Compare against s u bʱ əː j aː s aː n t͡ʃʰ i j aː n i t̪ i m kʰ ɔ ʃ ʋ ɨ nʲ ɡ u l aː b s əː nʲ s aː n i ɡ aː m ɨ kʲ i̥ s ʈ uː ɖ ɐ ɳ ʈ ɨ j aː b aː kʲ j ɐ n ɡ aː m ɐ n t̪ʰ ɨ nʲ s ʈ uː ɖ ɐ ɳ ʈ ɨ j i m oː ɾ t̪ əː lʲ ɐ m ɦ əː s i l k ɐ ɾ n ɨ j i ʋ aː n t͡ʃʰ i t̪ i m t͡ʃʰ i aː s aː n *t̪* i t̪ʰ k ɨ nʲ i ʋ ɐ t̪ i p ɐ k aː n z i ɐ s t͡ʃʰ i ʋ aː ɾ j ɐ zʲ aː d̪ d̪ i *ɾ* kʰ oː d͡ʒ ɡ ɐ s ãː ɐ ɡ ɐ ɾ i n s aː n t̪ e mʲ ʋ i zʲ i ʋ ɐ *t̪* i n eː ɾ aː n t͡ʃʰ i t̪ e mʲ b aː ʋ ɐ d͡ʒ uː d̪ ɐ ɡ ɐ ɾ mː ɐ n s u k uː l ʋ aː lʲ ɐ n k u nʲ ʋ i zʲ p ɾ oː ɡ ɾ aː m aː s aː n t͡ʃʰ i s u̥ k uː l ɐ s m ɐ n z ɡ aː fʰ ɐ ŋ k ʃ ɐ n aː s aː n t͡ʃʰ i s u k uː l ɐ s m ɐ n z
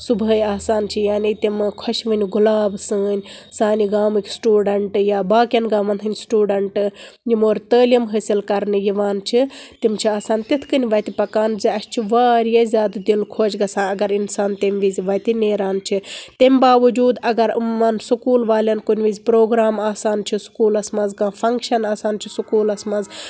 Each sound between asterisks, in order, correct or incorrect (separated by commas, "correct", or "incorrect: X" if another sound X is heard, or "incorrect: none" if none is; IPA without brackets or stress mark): correct, incorrect: l, correct